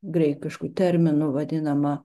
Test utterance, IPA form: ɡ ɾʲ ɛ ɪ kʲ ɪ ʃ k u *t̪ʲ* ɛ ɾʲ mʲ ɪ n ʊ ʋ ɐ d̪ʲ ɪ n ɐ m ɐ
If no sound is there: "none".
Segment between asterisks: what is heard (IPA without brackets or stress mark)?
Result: t̪ʲ